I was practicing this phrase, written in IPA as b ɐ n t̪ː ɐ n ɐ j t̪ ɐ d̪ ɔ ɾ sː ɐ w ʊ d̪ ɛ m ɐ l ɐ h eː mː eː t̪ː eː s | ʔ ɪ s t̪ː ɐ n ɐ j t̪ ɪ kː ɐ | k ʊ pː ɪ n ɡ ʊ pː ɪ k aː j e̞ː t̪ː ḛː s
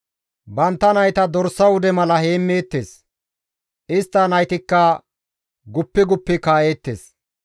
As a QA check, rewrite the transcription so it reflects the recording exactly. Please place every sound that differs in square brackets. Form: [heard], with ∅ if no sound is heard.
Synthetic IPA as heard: b ɐ n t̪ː ɐ n ɐ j t̪ ɐ d̪ ɔ ɾ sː ɐ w ʊ d̪ ɛ m ɐ l ɐ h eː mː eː t̪ː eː s | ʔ ɪ s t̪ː ɐ n ɐ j t̪ ɪ kː ɐ | [ɡ] ʊ pː ɪ [∅] ɡ ʊ pː ɪ k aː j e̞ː t̪ː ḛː s